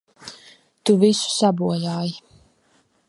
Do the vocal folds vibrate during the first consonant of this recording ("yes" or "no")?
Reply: no